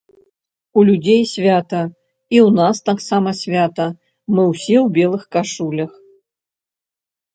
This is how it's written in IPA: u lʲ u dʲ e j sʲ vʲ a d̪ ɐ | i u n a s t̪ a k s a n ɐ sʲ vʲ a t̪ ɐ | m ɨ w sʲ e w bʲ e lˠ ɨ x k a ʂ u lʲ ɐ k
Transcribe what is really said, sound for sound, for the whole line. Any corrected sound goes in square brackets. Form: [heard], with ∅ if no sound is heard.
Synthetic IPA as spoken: u lʲ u dʲ e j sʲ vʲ a [t̪] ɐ | i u n a s t̪ a k s a [m] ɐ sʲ vʲ a t̪ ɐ | m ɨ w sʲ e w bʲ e lˠ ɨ x k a ʂ u lʲ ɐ [x]